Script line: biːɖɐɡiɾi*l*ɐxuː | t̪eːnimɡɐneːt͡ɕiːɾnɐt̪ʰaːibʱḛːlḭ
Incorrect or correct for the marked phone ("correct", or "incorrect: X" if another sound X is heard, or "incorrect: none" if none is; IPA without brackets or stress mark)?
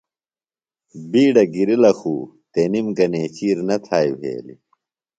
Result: correct